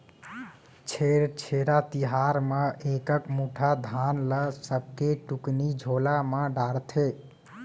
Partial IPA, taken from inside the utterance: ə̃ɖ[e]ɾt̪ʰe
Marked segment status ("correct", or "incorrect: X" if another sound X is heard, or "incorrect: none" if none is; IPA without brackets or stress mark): incorrect: a